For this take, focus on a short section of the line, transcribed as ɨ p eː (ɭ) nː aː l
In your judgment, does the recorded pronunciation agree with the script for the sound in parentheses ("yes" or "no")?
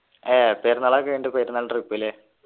no